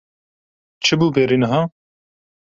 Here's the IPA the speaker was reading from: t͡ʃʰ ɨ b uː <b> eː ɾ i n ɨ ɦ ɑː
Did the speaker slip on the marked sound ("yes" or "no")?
no